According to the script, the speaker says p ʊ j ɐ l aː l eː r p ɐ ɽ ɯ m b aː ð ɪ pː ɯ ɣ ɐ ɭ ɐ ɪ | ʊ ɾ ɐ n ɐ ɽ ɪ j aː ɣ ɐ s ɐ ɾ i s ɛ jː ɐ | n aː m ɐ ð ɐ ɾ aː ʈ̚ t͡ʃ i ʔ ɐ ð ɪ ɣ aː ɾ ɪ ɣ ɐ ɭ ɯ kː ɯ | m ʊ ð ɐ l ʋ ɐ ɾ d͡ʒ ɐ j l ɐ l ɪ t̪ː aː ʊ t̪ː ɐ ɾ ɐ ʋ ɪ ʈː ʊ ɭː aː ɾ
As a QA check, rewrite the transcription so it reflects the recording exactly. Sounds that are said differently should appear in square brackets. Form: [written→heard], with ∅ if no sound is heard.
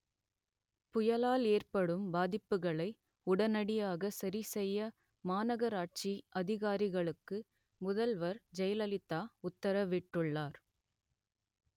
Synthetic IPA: p ʊ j ɐ l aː l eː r p ɐ ɽ ɯ m b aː ð ɪ pː ɯ ɣ ɐ ɭ ɐ ɪ | ʊ [ɾ→ɽ] ɐ n ɐ ɽ ɪ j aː ɣ ɐ s ɐ ɾ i s ɛ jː ɐ | [n→m] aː [m→n] ɐ [ð→ɣ] ɐ ɾ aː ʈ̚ t͡ʃ i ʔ ɐ ð ɪ ɣ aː ɾ ɪ ɣ ɐ ɭ ɯ kː ɯ | m ʊ ð ɐ l ʋ ɐ ɾ d͡ʒ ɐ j l ɐ l ɪ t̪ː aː ʊ t̪ː ɐ ɾ ɐ ʋ ɪ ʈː [ʊ→ɯ] ɭː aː ɾ